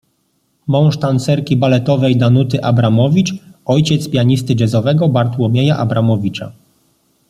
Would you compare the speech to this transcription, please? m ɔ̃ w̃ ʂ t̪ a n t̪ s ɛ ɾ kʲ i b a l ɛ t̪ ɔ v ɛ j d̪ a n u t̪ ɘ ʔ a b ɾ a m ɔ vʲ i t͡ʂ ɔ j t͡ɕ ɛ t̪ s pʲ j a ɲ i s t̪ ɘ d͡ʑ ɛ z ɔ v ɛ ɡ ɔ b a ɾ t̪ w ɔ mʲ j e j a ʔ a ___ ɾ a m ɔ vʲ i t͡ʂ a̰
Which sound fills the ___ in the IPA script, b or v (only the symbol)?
b